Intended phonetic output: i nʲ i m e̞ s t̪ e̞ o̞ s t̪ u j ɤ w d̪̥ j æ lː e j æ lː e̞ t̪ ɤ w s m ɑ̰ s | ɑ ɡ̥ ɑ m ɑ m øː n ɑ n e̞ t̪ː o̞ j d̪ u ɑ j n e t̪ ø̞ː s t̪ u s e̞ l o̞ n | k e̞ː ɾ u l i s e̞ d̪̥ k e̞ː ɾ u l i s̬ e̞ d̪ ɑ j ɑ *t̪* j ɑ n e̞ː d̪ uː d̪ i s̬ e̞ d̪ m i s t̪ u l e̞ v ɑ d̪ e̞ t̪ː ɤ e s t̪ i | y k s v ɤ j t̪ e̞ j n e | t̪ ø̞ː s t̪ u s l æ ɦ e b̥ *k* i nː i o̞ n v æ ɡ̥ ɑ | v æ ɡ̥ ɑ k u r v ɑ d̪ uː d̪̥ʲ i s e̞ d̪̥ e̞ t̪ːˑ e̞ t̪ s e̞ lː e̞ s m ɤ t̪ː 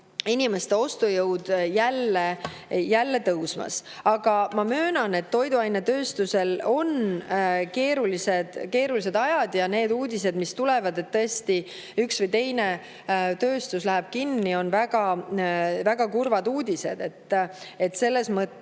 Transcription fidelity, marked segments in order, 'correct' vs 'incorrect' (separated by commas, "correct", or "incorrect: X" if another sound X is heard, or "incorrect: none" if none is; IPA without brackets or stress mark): incorrect: d̪, correct